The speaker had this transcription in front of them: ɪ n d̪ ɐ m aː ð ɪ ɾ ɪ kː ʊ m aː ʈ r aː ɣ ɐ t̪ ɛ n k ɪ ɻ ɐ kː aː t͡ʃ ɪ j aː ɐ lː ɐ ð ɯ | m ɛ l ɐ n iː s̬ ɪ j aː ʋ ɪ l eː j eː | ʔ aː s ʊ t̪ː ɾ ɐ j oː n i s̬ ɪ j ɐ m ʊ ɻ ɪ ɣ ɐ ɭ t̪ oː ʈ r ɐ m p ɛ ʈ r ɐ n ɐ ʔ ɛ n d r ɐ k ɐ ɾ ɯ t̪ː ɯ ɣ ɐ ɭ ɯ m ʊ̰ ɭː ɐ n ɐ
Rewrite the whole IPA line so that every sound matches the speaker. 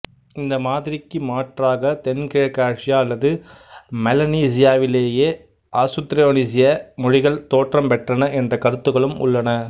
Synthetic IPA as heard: ɪ n d̪ ɐ m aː ð ɪ ɾ ɪ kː ɯ m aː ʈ r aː ɣ ɐ t̪ ɛ n k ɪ ɻ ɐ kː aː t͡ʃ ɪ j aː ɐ lː ɐ ð ɯ | m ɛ l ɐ n iː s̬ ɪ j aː ʋ ɪ l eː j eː | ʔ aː s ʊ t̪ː ɾ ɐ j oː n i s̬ ɪ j ɐ m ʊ ɻ ɪ ɣ ɐ ɭ t̪ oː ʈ r ɐ m p ɛ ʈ r ɐ n ɐ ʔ ɛ n d r ɐ k ɐ ɾ ɯ t̪ː ɯ ɣ ɐ ɭ ɯ m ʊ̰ ɭː ɐ n ɐ